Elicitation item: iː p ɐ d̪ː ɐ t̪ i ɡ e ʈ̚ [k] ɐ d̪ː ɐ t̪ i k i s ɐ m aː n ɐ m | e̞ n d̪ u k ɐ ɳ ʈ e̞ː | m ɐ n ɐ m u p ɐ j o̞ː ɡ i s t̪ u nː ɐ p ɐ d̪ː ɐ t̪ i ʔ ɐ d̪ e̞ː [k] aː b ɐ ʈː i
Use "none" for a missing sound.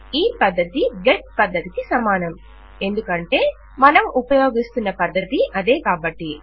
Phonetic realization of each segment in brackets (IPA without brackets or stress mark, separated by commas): p, k